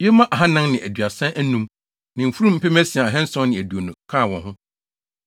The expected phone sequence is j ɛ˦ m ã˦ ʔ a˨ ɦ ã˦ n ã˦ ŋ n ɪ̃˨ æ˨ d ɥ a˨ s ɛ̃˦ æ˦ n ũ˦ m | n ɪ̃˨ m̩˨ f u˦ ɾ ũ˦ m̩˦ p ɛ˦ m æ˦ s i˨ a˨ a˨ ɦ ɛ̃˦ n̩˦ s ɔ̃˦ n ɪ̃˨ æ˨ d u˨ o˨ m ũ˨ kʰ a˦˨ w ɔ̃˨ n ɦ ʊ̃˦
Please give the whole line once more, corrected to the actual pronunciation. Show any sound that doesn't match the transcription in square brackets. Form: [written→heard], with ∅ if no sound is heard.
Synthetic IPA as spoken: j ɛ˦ m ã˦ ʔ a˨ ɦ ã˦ n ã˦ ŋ n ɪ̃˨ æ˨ d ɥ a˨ s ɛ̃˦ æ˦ n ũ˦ m | n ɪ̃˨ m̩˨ f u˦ ɾ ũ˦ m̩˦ p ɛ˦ m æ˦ s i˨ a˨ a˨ ɦ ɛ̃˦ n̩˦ s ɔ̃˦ n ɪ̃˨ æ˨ d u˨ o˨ [m→n] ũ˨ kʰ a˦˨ w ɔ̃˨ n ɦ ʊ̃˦